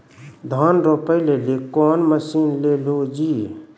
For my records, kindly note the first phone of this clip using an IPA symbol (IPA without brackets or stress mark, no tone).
d̪ʱ